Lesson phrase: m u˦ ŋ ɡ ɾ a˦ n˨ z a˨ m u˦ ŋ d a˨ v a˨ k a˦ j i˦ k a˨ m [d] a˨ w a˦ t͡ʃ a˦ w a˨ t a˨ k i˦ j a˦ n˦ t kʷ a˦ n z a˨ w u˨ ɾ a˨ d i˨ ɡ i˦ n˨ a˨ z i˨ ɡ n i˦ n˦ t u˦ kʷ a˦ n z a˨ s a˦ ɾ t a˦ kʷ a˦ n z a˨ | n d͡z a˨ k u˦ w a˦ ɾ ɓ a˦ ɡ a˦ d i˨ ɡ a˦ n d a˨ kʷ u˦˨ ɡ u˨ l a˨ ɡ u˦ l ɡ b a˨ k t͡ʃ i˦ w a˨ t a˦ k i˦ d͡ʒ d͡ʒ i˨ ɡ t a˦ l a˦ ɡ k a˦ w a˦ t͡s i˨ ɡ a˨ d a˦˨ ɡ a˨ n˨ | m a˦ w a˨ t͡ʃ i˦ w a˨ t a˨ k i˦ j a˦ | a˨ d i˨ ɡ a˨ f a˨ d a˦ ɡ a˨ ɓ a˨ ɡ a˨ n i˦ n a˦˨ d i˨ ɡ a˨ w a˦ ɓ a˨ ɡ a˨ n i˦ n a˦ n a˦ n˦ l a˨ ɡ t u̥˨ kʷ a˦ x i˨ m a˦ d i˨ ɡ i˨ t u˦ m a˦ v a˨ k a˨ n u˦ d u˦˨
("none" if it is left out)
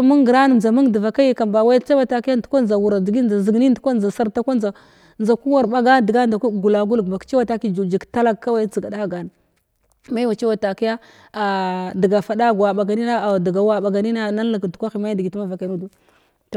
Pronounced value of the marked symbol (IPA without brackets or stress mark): b